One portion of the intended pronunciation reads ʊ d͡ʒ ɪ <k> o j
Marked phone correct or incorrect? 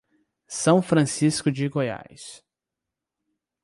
incorrect: ɡ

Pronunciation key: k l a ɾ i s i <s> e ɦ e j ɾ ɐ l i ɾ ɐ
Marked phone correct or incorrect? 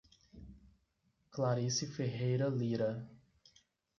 incorrect: f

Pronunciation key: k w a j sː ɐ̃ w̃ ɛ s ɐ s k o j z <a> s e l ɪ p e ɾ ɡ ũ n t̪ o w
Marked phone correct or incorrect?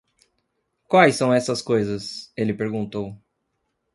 incorrect: ɐ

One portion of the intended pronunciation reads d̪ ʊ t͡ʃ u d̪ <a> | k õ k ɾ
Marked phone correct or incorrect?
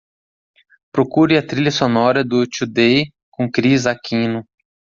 incorrect: e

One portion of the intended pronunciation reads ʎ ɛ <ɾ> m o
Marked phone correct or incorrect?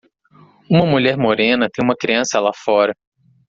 correct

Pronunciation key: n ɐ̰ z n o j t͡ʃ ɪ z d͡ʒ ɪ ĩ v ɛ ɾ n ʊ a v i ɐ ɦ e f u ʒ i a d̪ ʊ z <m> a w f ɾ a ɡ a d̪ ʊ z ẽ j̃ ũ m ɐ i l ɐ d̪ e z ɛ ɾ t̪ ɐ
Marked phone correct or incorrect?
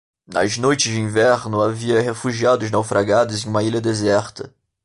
incorrect: n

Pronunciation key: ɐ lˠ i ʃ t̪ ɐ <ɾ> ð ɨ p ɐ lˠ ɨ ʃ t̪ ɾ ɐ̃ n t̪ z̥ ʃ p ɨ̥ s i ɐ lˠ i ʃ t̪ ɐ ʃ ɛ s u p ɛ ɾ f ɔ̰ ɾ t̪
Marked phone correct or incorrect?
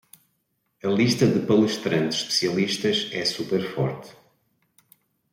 incorrect: none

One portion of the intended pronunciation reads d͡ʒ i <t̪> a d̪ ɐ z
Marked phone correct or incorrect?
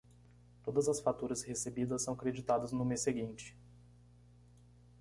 correct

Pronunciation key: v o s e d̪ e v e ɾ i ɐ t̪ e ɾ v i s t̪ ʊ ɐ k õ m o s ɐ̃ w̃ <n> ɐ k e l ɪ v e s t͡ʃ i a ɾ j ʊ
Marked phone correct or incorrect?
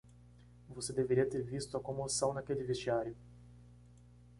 correct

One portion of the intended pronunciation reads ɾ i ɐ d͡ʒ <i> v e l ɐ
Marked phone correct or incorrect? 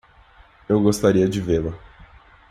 incorrect: ɪ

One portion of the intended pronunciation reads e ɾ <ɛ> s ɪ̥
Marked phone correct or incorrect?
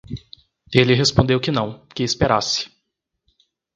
incorrect: a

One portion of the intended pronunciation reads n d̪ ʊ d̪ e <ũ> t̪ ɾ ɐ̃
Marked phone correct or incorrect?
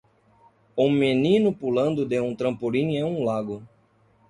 correct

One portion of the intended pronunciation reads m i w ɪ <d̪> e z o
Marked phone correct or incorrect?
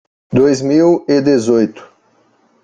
correct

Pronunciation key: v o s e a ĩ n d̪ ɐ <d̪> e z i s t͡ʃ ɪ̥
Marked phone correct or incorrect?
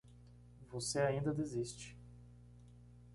correct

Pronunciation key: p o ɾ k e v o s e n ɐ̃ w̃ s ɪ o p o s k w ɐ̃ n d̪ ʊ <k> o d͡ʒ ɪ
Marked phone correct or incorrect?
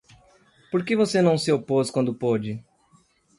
incorrect: p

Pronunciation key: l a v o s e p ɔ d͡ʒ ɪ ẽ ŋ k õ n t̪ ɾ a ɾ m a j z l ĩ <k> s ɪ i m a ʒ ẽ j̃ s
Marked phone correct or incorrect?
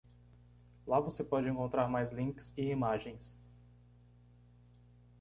correct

